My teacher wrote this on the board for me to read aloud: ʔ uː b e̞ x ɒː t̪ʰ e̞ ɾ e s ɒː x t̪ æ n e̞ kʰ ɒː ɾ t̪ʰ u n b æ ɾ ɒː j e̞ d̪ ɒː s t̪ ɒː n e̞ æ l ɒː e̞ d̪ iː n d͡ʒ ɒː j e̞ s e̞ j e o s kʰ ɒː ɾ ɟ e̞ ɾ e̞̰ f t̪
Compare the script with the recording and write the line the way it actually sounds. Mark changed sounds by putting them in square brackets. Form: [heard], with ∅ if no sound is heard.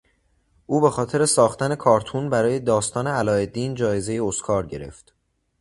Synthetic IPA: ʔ uː b e̞ x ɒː t̪ʰ e̞ ɾ e s ɒː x t̪ æ n e̞ kʰ ɒː ɾ t̪ʰ u n b æ ɾ ɒː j e̞ d̪ ɒː s t̪ ɒː n e̞ æ l ɒː e̞ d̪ iː n d͡ʒ ɒː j e̞ [z] e̞ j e o s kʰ ɒː ɾ ɟ e̞ ɾ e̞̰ f t̪